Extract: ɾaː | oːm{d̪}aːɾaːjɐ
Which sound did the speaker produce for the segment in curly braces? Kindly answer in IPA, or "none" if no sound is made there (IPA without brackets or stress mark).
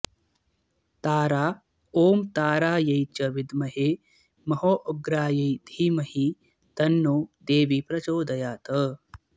t̪